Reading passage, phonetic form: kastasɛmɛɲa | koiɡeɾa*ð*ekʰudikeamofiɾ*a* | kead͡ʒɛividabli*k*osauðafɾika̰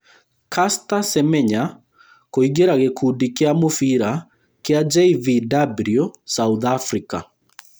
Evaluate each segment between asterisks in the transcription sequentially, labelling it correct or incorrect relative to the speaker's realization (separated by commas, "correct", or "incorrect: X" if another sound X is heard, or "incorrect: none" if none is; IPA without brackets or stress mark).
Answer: incorrect: ɣ, correct, incorrect: none